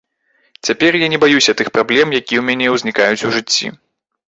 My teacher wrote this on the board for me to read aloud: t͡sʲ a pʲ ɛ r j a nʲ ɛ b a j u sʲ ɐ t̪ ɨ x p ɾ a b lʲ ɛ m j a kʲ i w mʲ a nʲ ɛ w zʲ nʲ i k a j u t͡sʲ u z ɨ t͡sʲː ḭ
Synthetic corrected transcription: t͡sʲ a pʲ ɛ r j a nʲ ɛ b a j u sʲ ɐ t̪ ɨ x p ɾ a b lʲ ɛ m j a kʲ i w mʲ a nʲ ɛ w zʲ nʲ i k a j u t͡sʲ u ʐ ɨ t͡sʲː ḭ